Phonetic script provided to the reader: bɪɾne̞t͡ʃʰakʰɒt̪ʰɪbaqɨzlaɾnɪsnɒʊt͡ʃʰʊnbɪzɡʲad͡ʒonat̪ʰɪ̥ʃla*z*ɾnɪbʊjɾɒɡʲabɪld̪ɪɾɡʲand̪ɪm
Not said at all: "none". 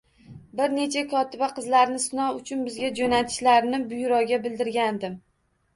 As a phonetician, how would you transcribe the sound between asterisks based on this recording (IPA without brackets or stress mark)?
none